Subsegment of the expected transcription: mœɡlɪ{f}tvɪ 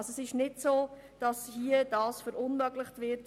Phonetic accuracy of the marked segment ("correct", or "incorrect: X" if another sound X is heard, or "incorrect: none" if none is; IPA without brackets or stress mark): incorrect: χ